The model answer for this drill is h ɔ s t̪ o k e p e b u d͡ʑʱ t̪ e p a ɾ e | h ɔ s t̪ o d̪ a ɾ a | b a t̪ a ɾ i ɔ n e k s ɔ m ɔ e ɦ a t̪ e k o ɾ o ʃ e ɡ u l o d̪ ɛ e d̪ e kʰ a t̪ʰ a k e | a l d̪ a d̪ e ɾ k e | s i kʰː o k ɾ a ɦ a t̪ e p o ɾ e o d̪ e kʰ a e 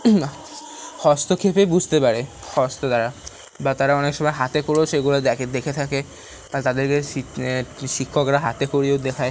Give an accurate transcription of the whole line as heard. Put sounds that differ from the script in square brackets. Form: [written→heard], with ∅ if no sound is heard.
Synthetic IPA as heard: h ɔ s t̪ o [k→kʰ] e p e b u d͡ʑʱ t̪ e p a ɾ e | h ɔ s t̪ o d̪ a ɾ a | b a t̪ a ɾ [i→a] ɔ n e k [s→ʃ] ɔ m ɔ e ɦ a t̪ e k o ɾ o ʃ e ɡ u l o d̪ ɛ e d̪ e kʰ [a→e] t̪ʰ a k e | a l [d̪→t̪] a d̪ e ɾ k e | [s→ʃ] i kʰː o k ɾ a ɦ a t̪ e [p→k] o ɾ [e→i] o d̪ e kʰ a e